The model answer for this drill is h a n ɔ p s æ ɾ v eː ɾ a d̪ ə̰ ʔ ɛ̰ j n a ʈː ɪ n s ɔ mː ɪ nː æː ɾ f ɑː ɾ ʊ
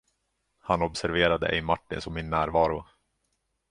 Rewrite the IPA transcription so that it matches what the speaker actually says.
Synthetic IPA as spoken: h a n ɔ b s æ ɾ v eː ɾ a d̪ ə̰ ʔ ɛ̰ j m a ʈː ɪ n s ɔ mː ɪ nː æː ɾ v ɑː ɾ ʊ